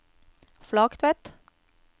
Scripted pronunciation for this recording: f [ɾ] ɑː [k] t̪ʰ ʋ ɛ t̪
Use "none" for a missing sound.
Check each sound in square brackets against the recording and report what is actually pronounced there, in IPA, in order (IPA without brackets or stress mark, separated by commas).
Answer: l, k